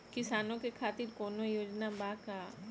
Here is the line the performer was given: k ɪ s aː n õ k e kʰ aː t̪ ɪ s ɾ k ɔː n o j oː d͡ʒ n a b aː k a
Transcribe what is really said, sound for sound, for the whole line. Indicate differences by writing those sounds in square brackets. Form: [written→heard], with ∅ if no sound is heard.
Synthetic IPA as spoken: k ɪ s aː n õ k e kʰ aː t̪ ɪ [s→∅] ɾ k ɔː n o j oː d͡ʒ n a b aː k a